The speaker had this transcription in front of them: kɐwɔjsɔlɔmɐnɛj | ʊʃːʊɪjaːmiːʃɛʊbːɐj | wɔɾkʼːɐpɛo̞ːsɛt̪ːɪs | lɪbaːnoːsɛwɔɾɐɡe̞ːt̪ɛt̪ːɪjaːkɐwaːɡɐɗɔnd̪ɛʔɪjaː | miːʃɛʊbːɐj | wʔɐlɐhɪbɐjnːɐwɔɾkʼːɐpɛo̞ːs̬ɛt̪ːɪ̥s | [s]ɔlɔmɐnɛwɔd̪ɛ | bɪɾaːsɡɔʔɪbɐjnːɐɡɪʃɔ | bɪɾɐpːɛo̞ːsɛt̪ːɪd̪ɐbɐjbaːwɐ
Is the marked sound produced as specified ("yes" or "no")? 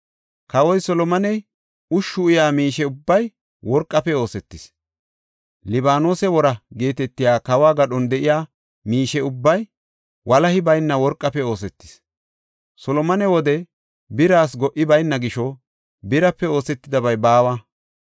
yes